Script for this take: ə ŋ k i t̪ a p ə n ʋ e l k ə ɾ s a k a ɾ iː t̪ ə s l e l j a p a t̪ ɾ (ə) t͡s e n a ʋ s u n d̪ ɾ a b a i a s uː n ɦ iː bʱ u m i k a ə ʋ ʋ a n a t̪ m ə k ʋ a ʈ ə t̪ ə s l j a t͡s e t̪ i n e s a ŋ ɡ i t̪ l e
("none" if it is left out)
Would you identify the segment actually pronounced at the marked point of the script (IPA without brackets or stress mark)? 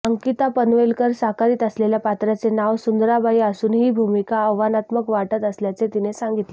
a